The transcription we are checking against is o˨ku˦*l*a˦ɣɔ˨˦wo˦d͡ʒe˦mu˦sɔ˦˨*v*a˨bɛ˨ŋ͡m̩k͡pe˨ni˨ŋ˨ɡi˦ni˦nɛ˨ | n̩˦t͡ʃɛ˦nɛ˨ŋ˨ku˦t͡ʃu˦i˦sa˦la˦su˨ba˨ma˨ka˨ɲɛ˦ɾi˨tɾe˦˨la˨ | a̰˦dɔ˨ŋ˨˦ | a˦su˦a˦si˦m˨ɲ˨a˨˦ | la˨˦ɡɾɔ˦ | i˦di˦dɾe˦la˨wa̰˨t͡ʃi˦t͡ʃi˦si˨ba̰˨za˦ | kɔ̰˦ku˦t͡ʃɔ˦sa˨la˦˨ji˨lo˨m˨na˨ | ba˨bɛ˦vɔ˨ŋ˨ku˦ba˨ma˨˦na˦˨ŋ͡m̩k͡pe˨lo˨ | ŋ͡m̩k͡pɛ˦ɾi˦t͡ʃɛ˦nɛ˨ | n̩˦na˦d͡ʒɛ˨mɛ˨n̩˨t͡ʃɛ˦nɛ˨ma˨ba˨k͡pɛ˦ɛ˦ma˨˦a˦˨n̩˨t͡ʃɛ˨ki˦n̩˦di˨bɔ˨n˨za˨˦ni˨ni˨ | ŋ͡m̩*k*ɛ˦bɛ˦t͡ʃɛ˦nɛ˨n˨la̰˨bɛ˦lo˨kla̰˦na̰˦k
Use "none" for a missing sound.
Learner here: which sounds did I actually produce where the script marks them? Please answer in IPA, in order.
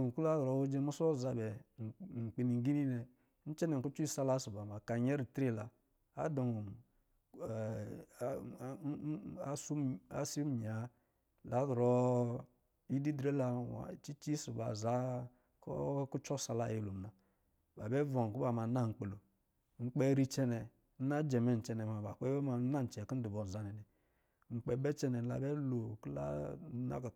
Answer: l, z, k͡p

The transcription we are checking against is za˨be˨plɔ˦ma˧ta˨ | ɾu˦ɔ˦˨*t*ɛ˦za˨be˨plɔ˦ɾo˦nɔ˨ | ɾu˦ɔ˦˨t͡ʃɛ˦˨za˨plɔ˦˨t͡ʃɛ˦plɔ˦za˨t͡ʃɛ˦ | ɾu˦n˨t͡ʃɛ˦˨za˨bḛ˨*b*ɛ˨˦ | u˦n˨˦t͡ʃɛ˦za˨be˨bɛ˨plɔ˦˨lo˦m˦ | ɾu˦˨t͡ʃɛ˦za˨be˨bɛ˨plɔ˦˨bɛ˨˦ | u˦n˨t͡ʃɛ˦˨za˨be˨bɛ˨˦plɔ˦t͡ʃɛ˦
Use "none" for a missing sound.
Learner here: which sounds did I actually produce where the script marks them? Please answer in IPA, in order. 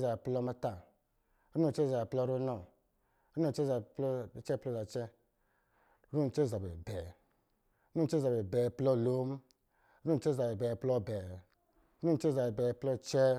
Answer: t͡ʃ, b

